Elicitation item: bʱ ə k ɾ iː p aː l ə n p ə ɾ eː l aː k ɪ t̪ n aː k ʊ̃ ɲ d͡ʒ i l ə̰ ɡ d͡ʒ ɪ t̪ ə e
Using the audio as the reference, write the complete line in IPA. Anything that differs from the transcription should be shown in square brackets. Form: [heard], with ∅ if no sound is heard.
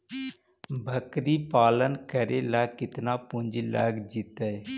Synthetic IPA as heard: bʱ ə k ɾ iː p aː l ə n [k] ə ɾ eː l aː k ɪ t̪ n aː [p] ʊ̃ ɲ d͡ʒ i l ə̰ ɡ d͡ʒ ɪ t̪ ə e